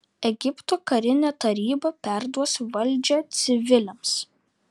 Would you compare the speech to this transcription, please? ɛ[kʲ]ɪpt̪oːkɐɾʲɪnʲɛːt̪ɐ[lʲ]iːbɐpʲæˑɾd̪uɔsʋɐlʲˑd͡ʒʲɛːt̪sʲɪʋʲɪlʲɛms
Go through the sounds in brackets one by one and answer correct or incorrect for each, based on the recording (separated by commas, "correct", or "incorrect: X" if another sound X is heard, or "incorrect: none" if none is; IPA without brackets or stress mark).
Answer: incorrect: ɡʲ, incorrect: ɾʲ